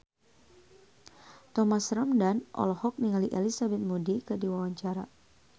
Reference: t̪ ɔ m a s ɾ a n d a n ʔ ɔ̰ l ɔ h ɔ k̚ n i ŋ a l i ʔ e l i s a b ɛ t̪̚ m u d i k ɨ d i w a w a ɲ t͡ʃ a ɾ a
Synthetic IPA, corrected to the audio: t̪ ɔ m a s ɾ a m d a n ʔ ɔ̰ l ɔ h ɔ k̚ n i ŋ a l i ʔ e l i s a b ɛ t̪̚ m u d i k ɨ d i w a w a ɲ t͡ʃ a ɾ a